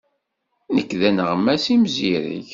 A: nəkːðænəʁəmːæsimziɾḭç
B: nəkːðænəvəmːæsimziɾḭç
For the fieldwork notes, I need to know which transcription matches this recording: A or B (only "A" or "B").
A